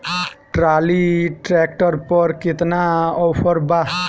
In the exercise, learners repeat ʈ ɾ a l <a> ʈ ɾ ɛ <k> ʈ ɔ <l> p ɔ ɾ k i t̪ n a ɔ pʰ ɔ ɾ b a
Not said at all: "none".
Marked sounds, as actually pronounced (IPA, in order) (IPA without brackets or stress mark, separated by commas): i, k, ɾ